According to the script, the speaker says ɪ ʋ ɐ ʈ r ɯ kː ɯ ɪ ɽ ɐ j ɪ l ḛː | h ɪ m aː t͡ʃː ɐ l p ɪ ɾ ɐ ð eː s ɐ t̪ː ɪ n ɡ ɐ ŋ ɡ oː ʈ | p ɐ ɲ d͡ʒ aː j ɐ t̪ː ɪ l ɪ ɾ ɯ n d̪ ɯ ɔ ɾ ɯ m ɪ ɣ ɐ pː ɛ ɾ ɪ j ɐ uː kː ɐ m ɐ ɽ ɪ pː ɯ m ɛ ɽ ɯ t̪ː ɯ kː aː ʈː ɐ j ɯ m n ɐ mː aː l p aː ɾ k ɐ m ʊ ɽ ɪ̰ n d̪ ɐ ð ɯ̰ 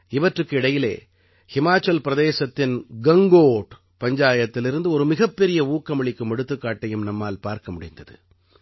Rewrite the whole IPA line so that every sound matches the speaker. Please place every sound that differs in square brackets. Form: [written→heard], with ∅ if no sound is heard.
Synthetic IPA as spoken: ɪ ʋ ɐ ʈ r ɯ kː ɯ ɪ ɽ ɐ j ɪ l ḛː | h ɪ m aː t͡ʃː ɐ l p ɪ ɾ ɐ ð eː s ɐ t̪ː ɪ n ɡ ɐ ŋ ɡ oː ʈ | p ɐ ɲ d͡ʒ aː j ɐ t̪ː ɪ l ɪ ɾ ɯ n d̪ ɯ ɔ ɾ ɯ m ɪ ɣ ɐ pː ɛ ɾ ɪ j ɐ uː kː ɐ m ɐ [ɽ→ɭ] ɪ [pː→kː] ɯ m ɛ ɽ ɯ t̪ː ɯ kː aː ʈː ɐ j ɯ m n ɐ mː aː l p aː ɾ k ɐ m ʊ ɽ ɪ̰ n d̪ ɐ ð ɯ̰